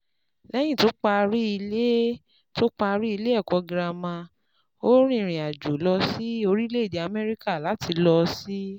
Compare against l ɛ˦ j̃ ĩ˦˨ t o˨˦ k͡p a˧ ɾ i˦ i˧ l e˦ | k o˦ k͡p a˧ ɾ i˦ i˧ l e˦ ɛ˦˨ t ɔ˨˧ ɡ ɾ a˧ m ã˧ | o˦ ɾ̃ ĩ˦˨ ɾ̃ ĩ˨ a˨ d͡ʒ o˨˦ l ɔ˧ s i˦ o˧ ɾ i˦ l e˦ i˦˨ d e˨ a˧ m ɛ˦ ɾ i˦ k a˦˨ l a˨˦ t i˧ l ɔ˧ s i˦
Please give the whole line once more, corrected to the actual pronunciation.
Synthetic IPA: l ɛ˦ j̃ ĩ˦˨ t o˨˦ k͡p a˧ ɾ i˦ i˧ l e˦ | t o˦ k͡p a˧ ɾ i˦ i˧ l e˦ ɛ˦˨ k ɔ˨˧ ɡ ɾ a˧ m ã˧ | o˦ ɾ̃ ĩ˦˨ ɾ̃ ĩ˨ a˨ d͡ʒ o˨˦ l ɔ˧ s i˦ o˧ ɾ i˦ l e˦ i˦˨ d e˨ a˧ m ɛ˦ ɾ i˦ k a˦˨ l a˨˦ t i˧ l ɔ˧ s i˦